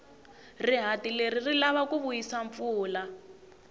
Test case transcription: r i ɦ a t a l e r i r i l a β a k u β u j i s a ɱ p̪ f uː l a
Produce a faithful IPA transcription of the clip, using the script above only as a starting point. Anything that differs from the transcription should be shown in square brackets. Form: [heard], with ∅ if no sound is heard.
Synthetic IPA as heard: r i ɦ a t [i] l e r i r i l a β a k u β u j i s a ɱ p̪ f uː l a